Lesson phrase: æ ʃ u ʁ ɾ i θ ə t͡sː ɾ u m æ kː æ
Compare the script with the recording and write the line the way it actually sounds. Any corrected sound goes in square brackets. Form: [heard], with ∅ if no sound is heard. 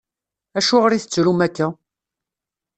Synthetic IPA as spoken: æ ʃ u ʁ ɾ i θ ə t͡sː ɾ u m æ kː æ